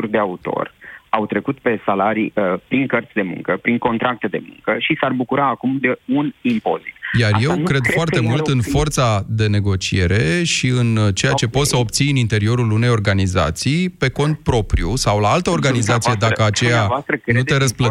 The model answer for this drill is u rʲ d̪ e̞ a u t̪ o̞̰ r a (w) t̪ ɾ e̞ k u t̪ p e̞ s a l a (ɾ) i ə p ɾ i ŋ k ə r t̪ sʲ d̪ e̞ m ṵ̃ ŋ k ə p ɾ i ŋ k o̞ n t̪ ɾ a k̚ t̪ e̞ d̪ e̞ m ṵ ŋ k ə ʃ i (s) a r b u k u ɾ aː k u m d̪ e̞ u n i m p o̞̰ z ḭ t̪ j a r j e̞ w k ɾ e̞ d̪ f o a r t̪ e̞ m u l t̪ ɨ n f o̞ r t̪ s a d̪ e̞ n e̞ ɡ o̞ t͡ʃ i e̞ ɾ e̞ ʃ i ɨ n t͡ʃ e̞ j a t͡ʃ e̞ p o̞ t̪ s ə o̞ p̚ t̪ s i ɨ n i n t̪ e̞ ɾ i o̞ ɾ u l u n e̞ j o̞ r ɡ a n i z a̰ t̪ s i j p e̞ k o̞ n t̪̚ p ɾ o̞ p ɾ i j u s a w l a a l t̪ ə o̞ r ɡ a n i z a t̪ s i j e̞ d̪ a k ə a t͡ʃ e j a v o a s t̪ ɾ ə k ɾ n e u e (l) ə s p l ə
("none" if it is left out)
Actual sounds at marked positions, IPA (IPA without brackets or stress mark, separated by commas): w, ɾ, s, ɾ